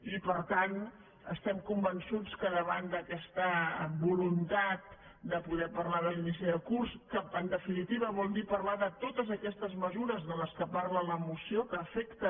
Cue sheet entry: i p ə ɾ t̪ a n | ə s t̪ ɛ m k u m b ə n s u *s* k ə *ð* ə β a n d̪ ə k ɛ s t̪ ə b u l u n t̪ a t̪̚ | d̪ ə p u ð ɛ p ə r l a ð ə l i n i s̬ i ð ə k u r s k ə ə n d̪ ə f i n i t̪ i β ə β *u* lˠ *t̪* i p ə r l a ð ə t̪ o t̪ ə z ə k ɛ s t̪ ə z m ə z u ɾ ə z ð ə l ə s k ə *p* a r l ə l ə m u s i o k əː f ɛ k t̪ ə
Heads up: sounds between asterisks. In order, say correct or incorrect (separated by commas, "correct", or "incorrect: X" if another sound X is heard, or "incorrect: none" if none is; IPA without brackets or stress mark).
incorrect: t͡s, correct, incorrect: ɔ, incorrect: d̪, correct